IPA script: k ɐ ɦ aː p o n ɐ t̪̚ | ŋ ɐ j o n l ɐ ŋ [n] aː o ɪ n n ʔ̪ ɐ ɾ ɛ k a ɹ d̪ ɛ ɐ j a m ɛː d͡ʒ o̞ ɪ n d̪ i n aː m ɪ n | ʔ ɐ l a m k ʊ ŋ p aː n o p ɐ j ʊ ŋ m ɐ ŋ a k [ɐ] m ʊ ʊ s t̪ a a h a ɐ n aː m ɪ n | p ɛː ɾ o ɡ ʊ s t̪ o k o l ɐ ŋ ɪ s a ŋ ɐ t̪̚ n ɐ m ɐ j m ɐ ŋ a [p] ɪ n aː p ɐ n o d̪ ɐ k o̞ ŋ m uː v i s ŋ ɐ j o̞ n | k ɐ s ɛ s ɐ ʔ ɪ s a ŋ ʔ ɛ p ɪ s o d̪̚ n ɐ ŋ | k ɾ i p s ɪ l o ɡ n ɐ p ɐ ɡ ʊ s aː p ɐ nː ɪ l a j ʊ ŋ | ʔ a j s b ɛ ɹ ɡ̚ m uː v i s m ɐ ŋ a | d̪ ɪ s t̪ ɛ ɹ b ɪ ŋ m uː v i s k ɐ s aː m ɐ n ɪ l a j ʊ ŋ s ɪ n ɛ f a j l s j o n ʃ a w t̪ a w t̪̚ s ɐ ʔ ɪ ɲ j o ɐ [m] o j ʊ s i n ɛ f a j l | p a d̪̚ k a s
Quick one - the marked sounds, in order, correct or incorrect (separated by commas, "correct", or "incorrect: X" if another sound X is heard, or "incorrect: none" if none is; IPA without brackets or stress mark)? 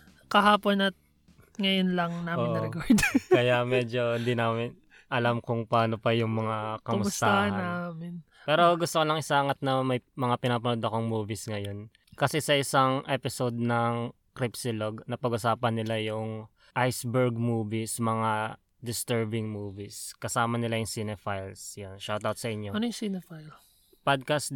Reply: correct, correct, correct, incorrect: n